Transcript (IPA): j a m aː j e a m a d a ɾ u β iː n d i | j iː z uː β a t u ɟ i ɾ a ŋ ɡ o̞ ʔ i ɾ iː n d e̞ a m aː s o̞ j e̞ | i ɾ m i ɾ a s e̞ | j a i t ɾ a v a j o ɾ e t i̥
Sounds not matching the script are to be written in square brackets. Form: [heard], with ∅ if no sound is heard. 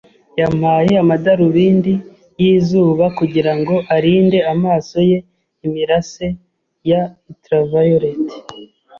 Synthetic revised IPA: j a m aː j e a m a d a ɾ u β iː n d i | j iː z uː β a [k] u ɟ i ɾ a ŋ ɡ o̞ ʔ [a] ɾ iː n d e̞ a m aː s o̞ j e̞ | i [∅] m i ɾ a s e̞ | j a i t ɾ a v a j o ɾ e t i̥